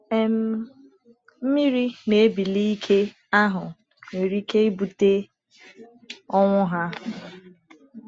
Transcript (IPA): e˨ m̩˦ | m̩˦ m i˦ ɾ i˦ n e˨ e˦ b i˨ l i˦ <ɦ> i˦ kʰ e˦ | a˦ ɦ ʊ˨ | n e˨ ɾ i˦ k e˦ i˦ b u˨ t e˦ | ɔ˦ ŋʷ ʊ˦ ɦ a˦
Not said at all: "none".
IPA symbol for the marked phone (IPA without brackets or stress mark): none